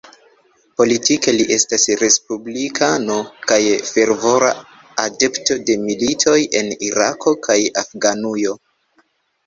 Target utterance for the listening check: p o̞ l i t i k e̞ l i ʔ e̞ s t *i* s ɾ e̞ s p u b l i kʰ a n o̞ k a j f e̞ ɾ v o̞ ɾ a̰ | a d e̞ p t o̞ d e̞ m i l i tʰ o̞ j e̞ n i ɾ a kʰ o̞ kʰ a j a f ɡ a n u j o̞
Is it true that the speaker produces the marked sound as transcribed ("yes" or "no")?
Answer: no